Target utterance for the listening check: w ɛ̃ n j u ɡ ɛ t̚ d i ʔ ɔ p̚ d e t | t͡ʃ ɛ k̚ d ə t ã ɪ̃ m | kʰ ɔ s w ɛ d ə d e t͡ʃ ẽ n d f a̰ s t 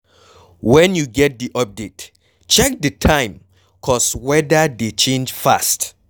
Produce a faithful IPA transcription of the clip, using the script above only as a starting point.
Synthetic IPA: w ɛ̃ n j u ɡ ɛ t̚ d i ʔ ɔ p̚ d e t | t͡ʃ ɛ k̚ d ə tʰ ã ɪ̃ m | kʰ ɔ s w ɛ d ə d e t͡ʃ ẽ n d͡ʒ f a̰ s t